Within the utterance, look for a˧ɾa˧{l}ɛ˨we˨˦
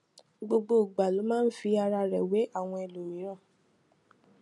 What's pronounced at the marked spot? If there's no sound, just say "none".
ɾ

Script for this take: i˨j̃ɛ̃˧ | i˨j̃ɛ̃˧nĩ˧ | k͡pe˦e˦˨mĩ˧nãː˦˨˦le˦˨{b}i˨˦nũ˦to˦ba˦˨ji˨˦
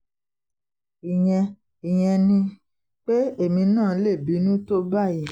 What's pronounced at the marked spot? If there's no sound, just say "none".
b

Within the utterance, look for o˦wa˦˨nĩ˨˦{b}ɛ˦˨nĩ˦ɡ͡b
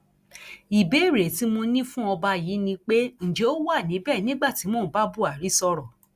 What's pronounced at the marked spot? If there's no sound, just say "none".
b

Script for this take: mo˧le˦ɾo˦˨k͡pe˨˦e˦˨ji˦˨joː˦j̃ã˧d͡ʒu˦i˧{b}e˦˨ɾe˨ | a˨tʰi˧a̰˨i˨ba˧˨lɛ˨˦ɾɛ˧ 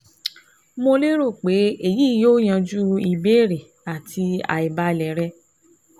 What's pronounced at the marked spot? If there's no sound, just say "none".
b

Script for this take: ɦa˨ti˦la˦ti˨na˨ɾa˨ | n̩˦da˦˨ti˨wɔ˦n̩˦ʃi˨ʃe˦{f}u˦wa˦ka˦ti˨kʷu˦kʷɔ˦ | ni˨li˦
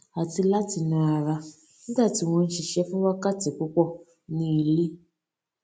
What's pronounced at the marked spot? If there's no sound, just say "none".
f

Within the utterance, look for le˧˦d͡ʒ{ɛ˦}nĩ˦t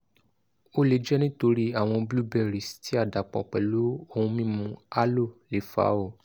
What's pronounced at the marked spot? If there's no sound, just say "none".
ɛ˦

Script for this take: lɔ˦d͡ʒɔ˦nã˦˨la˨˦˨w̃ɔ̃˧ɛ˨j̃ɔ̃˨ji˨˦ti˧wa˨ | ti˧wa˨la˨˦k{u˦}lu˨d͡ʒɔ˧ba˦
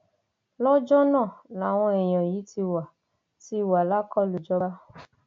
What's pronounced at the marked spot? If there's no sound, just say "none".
ɔ˦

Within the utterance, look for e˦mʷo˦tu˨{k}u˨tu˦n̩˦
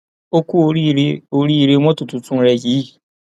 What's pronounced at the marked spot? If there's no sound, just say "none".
t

